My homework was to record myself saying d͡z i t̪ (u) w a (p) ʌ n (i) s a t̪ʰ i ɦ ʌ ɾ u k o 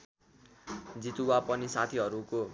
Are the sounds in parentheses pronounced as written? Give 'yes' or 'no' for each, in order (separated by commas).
yes, yes, yes